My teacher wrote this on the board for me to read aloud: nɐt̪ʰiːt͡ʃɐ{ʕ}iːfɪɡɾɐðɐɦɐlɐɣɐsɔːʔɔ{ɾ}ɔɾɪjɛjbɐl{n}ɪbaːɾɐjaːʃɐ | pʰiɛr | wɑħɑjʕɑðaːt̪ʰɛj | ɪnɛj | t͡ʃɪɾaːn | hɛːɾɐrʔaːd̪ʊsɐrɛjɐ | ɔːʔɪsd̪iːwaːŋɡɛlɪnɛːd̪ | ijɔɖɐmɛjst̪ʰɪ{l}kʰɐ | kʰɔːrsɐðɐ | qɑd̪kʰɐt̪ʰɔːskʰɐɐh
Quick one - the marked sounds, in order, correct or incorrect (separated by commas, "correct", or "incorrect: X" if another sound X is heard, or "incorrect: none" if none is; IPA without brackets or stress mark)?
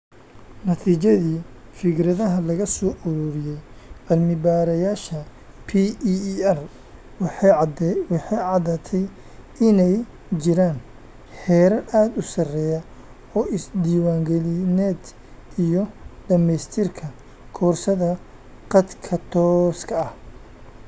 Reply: incorrect: ð, correct, incorrect: m, incorrect: r